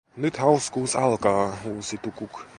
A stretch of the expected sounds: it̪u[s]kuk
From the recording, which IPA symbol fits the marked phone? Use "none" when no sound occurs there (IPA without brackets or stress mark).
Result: none